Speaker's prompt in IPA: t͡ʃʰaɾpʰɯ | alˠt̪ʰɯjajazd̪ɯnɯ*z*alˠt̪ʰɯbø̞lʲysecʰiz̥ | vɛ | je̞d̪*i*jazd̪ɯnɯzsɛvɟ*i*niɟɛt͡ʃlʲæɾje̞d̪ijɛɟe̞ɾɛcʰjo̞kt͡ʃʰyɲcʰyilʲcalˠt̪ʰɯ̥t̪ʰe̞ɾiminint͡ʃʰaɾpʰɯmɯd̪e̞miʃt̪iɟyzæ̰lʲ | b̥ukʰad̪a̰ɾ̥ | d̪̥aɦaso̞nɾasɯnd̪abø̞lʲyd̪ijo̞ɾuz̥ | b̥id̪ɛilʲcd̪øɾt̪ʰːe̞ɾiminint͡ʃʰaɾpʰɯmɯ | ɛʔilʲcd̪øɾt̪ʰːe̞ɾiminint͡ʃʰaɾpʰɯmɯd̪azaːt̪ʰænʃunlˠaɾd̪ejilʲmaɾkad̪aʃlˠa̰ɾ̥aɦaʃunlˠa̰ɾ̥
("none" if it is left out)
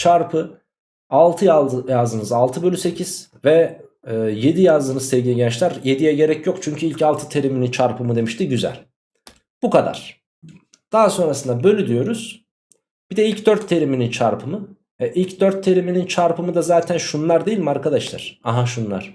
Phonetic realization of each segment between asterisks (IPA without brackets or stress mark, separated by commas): z, i, i